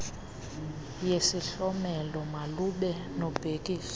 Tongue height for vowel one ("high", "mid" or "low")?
mid